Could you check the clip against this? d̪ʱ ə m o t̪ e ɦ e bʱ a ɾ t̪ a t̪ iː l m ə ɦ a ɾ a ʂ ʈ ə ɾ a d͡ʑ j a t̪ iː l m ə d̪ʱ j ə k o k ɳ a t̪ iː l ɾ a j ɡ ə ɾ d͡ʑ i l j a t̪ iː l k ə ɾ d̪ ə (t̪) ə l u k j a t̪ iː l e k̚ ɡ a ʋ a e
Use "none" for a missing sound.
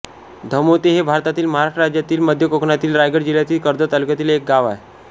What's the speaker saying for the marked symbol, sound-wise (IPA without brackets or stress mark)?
t̪